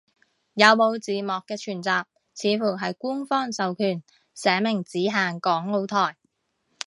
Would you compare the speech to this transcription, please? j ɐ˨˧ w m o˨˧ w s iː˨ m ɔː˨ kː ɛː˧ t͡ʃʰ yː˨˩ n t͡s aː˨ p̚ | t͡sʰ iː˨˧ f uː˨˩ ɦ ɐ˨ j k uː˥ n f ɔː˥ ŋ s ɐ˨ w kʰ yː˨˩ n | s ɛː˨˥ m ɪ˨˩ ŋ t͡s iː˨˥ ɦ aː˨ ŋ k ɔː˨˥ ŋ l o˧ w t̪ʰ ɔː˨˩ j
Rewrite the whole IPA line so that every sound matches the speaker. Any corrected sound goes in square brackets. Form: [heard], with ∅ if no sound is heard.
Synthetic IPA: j ɐ˨˧ w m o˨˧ w [t͡s] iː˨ m ɔː˨ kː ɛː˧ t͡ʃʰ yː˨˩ n t͡s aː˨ p̚ | t͡sʰ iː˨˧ f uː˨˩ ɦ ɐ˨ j k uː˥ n f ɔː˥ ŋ s ɐ˨ w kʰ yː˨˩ n | s ɛː˨˥ m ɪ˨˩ ŋ t͡s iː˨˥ ɦ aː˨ ŋ k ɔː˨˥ ŋ l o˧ w t̪ʰ ɔː˨˩ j

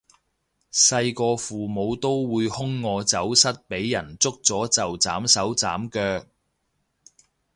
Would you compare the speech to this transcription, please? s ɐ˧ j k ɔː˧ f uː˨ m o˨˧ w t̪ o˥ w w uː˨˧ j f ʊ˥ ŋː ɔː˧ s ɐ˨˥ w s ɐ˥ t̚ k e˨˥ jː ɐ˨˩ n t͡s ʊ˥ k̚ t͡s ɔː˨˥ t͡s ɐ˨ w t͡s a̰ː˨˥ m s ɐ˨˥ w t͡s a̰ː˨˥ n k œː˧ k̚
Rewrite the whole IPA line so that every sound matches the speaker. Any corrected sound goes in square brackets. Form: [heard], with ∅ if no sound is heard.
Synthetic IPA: s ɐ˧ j k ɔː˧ f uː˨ m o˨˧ w t̪ o˥ w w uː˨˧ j [h] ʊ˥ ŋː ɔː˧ [t͡s] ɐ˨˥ w s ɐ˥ t̚ [p] e˨˥ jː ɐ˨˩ n t͡s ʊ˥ k̚ t͡s ɔː˨˥ t͡s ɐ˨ w t͡s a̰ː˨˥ m s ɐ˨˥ w t͡s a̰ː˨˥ [m] k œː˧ k̚

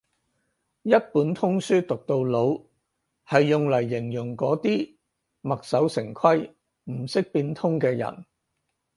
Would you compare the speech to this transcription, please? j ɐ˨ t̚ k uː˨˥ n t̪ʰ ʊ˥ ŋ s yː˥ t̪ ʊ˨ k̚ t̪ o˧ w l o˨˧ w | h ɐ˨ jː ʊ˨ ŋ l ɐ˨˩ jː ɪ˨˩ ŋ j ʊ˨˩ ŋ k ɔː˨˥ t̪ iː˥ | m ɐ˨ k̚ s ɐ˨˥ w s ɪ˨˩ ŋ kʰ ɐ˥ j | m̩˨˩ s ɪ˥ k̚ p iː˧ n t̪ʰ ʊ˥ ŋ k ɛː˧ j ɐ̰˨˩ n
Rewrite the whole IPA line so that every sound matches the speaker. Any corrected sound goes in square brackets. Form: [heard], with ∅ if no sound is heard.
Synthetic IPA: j [ɐ˥] t̚ [p] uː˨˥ n t̪ʰ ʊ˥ ŋ s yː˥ t̪ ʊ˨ k̚ t̪ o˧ w l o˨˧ w | h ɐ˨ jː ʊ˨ ŋ l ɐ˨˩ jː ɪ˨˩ ŋ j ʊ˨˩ ŋ k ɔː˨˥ t̪ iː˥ | m ɐ˨ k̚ s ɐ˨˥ w s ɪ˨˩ ŋ kʰ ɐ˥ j | m̩˨˩ s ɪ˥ k̚ p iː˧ n t̪ʰ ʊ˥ ŋ k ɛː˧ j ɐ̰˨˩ n

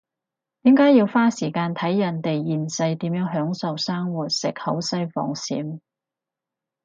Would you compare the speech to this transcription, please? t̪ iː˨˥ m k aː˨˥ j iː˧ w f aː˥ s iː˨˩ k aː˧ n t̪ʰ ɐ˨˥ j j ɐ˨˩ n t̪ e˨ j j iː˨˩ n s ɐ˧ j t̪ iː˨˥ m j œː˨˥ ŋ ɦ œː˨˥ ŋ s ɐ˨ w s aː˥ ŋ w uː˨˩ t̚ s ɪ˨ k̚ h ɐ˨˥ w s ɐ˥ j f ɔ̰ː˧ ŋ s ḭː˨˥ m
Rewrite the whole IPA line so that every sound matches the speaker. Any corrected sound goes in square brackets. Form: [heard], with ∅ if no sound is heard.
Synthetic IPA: t̪ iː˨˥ m k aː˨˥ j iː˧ w f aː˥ s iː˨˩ k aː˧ n t̪ʰ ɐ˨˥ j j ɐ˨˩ n t̪ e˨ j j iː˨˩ n s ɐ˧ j t̪ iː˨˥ m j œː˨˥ ŋ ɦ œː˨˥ ŋ s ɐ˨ w s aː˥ ŋ w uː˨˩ t̚ s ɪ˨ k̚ h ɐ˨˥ w s ɐ˥ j f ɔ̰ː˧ ŋ s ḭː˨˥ m

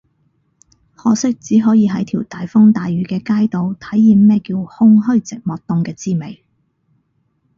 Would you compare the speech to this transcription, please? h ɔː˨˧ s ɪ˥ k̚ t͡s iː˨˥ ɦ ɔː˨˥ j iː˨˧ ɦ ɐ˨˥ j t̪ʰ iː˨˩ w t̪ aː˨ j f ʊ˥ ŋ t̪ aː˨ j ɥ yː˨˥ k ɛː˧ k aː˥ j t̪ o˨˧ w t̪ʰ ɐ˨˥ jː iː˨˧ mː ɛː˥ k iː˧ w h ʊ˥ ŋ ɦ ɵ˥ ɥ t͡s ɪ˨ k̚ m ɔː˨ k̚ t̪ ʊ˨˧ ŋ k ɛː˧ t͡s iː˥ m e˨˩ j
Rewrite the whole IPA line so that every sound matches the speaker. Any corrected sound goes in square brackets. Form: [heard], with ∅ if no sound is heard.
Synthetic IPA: h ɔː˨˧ s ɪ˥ k̚ t͡s iː˨˥ ɦ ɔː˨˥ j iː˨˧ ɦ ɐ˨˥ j t̪ʰ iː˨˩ w t̪ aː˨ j f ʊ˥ ŋ t̪ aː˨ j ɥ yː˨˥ k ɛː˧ k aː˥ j t̪ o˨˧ w t̪ʰ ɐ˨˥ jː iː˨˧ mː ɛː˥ k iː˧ w h ʊ˥ ŋ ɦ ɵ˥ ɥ t͡s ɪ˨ k̚ m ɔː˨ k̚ t̪ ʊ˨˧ ŋ k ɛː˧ t͡s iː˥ m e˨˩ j

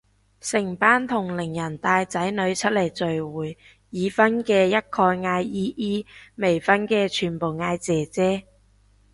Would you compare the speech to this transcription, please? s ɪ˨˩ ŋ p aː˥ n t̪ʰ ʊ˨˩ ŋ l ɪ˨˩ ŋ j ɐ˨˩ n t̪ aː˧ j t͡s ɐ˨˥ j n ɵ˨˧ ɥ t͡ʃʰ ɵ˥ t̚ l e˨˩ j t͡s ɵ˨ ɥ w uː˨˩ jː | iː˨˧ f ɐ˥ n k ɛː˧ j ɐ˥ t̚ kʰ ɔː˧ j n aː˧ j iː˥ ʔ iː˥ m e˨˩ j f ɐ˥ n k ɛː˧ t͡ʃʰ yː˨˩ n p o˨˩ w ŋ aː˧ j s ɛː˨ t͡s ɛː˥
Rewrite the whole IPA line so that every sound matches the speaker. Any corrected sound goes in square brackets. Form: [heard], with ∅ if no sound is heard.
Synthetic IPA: s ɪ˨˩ ŋ p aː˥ n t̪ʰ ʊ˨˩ ŋ l ɪ˨˩ ŋ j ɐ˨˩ n t̪ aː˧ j t͡s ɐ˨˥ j n ɵ˨˧ ɥ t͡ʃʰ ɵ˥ t̚ l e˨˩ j t͡s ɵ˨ ɥ w uː˨˩ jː | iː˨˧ f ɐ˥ n k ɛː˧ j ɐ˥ t̚ kʰ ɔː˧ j [ŋ] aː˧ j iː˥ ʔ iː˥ m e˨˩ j f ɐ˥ n k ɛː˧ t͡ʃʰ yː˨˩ n p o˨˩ w ŋ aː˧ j [t͡s] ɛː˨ t͡s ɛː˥

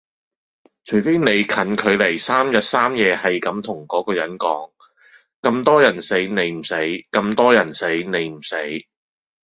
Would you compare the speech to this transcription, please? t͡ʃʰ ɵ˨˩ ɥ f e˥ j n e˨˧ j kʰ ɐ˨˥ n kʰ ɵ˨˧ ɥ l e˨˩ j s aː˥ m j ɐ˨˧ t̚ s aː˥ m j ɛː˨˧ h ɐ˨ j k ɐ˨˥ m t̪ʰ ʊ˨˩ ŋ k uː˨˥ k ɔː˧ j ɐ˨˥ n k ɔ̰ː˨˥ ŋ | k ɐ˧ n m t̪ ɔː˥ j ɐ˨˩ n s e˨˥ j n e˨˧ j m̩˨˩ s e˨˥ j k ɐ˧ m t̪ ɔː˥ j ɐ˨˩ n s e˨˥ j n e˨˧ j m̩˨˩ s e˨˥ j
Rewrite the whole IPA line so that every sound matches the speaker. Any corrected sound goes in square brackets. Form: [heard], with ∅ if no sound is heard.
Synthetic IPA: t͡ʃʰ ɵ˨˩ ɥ f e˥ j n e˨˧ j kʰ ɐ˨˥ n kʰ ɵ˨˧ ɥ l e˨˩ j s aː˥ m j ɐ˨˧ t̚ s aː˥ m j ɛː˨˧ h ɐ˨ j k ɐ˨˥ m t̪ʰ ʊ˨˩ ŋ k [ɔː˨˥] k ɔː˧ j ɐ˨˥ n k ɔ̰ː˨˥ ŋ | k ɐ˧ [∅] m t̪ ɔː˥ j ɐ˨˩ n s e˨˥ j n e˨˧ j m̩˨˩ s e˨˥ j k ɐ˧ m t̪ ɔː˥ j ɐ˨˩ n s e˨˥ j n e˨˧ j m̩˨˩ s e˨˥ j

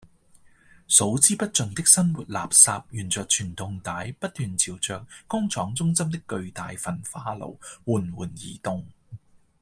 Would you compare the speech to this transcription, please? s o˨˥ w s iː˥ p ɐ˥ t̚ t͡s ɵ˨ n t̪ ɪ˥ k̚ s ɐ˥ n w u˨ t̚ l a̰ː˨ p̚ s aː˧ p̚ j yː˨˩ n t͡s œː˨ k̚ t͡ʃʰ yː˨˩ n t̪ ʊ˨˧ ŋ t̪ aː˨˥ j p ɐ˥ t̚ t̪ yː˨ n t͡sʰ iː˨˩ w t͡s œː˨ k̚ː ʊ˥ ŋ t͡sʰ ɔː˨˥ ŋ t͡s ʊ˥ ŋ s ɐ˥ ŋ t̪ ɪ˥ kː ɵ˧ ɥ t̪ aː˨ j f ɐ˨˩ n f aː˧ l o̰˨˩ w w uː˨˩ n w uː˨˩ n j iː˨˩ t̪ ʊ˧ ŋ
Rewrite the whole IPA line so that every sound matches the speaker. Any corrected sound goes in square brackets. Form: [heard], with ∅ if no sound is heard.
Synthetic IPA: s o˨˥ w [t͡s] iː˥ p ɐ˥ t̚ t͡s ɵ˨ n t̪ ɪ˥ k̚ s ɐ˥ n w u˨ t̚ l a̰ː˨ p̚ s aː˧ p̚ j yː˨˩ n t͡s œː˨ k̚ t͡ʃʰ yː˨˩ n t̪ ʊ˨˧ ŋ t̪ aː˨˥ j p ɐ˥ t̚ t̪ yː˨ n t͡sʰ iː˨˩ w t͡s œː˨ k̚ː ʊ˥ ŋ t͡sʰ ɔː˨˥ ŋ t͡s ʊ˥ ŋ s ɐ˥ [m] t̪ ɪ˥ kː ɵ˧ ɥ t̪ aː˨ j f ɐ˨˩ n f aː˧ l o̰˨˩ w w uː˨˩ n w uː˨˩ n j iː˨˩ t̪ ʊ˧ ŋ

